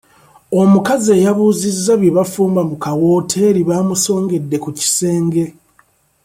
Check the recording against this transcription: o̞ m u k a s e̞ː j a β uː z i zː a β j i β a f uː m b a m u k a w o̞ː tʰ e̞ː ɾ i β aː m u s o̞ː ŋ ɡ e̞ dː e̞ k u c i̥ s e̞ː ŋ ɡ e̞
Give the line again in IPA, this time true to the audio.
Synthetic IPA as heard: o̞ m u k a z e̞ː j a β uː z i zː a β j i β a f uː m b a m u k a w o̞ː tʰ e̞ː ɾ i β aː m u s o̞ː ŋ ɡ e̞ dː e̞ k u c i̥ s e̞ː ŋ ɡ e̞